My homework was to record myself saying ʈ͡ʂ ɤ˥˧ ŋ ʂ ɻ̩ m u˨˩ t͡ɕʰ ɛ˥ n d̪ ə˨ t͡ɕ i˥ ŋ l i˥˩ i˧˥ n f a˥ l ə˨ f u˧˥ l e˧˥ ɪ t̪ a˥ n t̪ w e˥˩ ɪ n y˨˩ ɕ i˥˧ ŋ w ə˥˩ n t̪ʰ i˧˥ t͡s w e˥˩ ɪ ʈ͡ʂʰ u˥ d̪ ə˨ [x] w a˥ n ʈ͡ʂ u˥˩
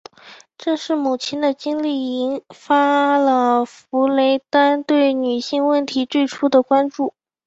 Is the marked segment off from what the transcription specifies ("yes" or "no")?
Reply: yes